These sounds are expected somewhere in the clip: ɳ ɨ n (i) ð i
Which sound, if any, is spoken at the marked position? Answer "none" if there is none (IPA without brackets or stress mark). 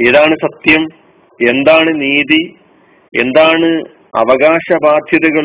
iː